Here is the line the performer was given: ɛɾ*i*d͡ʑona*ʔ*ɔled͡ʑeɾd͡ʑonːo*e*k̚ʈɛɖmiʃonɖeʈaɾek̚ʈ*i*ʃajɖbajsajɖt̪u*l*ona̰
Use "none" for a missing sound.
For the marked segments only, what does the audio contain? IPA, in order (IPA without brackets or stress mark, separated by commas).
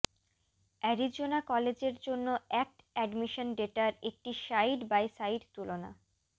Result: i, k, ɛ, i, l